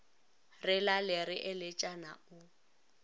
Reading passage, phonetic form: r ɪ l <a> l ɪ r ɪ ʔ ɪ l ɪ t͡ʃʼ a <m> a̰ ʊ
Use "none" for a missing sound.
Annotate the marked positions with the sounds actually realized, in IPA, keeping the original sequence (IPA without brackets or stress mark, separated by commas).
a, n